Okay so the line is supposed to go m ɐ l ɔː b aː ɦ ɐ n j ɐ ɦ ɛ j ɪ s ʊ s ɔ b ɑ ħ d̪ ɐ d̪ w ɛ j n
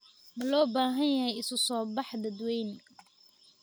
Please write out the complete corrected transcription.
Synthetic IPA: m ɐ l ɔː b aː ɦ ɐ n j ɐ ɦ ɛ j ɪ s ʊ s ɔː b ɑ ħ d̪ ɐ d̪ w ɛ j n